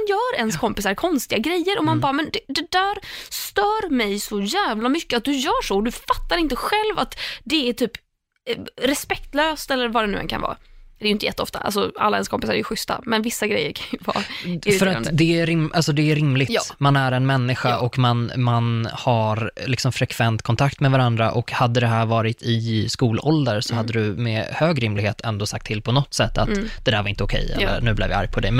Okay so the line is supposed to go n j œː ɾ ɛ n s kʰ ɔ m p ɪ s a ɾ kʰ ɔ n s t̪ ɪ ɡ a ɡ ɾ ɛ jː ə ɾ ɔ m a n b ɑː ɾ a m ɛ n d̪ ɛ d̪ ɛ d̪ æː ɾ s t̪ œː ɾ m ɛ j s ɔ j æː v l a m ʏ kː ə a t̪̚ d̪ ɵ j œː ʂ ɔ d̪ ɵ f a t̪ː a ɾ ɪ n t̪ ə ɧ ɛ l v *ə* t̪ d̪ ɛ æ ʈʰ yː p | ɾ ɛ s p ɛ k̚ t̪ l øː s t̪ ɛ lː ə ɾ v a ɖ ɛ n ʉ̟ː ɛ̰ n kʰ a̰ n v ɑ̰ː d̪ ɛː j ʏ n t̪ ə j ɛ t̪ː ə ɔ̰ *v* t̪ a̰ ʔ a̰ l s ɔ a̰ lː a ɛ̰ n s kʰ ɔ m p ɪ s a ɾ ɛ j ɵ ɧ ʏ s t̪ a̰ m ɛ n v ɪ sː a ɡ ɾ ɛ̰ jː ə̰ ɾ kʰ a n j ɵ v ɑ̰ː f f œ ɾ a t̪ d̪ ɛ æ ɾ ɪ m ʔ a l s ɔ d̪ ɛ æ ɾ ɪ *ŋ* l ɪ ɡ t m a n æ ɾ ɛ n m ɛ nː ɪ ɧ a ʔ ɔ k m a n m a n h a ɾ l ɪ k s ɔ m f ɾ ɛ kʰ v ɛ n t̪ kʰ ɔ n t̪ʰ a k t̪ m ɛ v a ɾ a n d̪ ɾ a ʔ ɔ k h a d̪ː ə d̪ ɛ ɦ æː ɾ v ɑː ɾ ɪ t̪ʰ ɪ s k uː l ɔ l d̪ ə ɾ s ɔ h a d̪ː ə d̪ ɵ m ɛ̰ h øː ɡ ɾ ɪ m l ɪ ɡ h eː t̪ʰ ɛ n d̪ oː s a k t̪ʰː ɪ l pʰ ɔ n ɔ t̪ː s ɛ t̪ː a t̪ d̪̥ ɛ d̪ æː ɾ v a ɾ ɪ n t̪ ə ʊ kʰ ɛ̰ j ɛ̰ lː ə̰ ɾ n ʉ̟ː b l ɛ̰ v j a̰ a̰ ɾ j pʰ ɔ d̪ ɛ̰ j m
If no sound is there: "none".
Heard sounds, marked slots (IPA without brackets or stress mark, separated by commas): a, f, m